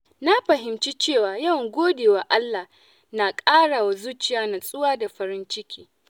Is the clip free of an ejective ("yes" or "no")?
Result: no